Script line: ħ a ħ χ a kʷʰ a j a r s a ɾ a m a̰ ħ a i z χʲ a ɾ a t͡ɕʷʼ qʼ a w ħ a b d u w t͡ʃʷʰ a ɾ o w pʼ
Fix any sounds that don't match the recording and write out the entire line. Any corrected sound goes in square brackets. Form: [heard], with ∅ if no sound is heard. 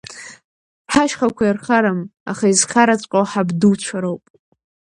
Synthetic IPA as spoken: ħ a [ʃ] χ a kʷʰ a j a r [χ] a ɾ a m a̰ [χ] a i z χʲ a ɾ a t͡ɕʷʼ qʼ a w ħ a b d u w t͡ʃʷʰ a ɾ o w pʼ